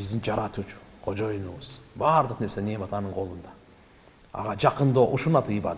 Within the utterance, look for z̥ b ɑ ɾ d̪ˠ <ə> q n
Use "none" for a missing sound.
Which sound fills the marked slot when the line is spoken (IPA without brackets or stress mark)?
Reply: ə